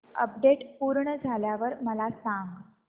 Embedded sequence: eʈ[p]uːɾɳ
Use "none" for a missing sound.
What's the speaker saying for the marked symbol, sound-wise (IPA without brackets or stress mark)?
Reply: p